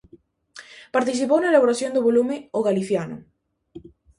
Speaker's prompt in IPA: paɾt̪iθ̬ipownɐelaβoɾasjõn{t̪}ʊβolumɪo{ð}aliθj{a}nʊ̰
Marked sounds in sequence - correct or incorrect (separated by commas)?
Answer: incorrect, incorrect, correct